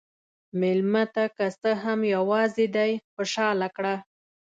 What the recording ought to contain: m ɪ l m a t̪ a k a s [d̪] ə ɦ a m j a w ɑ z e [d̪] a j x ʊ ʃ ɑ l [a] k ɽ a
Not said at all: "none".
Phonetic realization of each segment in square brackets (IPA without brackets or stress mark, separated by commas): t̪, d̪, a